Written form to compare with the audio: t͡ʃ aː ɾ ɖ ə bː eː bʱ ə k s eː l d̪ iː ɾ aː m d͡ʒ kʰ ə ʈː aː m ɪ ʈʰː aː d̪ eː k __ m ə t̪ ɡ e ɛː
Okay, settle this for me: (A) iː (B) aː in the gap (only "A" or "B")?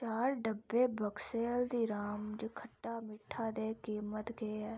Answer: A